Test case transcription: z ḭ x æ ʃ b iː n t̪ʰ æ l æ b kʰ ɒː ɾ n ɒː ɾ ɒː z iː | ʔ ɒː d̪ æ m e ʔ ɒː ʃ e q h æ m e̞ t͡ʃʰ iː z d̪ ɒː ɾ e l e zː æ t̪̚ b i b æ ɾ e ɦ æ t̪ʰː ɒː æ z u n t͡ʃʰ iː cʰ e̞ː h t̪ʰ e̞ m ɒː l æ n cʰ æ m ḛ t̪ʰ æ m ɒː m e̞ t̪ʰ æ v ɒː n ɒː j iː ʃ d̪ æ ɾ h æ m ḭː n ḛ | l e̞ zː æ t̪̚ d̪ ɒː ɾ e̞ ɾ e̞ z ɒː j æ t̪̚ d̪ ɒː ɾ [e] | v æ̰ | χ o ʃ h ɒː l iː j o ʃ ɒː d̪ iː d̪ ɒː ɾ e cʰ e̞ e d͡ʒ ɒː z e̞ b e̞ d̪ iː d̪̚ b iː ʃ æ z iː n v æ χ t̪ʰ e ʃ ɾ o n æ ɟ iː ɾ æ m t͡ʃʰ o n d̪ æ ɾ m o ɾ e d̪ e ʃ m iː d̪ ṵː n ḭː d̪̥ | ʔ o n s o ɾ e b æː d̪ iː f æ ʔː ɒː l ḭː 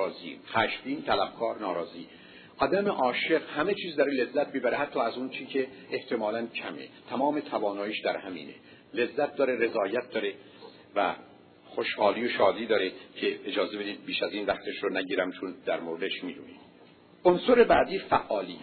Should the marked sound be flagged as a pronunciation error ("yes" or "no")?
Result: no